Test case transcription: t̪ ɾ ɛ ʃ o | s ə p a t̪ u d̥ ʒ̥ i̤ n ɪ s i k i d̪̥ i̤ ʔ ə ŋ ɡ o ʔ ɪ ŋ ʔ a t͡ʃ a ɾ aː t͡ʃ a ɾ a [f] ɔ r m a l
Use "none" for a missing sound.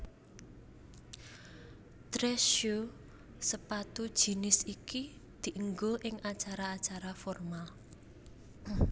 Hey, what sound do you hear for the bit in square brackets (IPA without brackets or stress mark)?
f